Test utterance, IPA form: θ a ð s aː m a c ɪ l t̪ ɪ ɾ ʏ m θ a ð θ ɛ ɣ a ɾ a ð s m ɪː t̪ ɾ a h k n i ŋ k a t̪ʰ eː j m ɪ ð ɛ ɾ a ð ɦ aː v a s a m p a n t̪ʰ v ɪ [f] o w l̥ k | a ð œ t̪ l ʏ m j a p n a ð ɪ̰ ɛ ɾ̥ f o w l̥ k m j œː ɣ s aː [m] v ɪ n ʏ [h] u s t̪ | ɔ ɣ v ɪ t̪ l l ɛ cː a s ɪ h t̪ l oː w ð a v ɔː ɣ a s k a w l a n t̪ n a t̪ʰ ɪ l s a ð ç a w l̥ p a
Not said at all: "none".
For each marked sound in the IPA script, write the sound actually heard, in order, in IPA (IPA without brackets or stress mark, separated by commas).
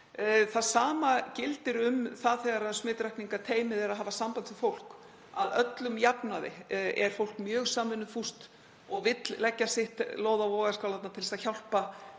f, m, f